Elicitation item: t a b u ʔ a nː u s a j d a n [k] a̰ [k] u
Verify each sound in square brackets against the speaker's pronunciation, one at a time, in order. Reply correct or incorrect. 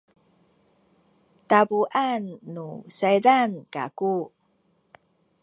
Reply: correct, correct

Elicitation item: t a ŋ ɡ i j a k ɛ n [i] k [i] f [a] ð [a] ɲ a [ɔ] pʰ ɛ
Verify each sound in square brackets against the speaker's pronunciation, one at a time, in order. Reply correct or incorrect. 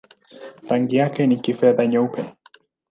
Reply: correct, correct, incorrect: ɛ, correct, incorrect: u

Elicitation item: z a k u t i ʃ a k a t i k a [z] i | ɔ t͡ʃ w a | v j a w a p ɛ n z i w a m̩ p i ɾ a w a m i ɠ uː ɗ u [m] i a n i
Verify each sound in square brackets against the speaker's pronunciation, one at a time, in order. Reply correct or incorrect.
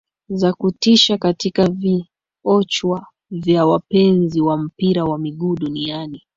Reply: incorrect: v, incorrect: n

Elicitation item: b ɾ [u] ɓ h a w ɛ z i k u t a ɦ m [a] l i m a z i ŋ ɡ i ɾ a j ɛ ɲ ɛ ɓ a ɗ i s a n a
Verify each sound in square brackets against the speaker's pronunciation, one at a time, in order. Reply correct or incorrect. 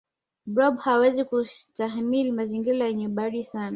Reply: incorrect: ɔ, incorrect: i

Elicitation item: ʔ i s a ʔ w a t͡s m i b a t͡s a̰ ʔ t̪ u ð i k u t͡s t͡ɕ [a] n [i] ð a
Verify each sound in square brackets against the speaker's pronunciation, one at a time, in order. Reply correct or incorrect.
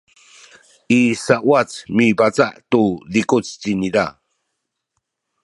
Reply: incorrect: i, correct

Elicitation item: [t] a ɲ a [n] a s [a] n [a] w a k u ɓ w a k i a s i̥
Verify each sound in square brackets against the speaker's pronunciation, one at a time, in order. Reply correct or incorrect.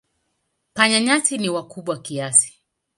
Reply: incorrect: p, incorrect: ɲ, incorrect: i, incorrect: i

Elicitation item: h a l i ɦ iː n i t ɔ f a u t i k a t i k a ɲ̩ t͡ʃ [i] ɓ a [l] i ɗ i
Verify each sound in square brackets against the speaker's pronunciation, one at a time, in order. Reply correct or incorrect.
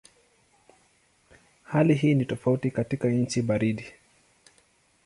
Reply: correct, incorrect: ɾ

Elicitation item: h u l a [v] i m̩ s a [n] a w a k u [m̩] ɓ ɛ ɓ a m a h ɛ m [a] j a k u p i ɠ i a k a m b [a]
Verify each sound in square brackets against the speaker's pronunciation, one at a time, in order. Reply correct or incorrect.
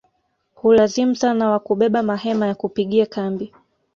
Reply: incorrect: z, correct, incorrect: none, correct, incorrect: i

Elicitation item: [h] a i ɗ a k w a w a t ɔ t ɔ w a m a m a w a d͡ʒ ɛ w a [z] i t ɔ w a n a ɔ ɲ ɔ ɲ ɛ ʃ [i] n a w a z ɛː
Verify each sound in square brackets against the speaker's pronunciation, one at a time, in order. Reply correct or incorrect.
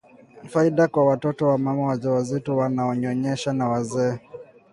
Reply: incorrect: f, correct, incorrect: a

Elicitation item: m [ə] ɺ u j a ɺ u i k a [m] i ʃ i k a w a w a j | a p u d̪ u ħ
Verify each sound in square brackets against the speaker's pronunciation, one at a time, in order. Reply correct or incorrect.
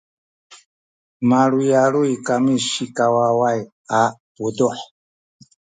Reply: incorrect: a, correct

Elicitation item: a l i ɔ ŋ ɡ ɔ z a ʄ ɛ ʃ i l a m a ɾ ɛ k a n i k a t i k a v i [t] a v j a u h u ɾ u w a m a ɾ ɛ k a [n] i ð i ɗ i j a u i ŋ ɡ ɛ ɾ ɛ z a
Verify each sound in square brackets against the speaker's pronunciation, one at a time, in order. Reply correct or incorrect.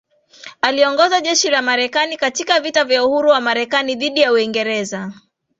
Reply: correct, correct

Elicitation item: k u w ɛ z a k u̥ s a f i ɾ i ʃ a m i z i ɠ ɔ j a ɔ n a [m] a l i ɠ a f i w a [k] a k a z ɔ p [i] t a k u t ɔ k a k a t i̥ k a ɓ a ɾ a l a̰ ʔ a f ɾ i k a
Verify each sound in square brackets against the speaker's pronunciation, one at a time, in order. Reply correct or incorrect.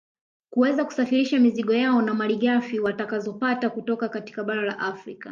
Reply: correct, incorrect: t, incorrect: a

